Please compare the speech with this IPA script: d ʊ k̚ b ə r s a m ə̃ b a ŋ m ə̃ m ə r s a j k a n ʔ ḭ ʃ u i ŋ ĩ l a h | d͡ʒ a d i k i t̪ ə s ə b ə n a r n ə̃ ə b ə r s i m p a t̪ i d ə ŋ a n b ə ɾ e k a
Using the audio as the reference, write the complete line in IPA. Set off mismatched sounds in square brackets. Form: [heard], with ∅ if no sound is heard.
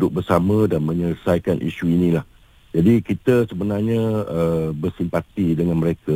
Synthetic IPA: d ʊ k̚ b ə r s a m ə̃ [d] a [n] m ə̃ [ɲ] ə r s a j k a n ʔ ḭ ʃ u i [n] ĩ l a h | d͡ʒ a d i k i t̪ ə s ə b ə n a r [ɲ] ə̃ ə b ə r s i m p a t̪ i d ə ŋ a n [m] ə ɾ e k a